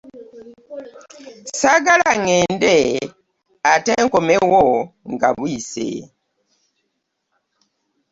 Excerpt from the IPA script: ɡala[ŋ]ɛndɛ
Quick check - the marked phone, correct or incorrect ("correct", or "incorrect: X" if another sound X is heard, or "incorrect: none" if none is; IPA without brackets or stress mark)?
correct